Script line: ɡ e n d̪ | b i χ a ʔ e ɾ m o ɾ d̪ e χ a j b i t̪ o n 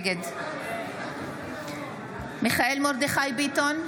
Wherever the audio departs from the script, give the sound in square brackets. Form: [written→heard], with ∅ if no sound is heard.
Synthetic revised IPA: ɡ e [n→∅] d̪ | [b→m] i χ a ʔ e [ɾ→l] m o ɾ d̪ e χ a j b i t̪ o n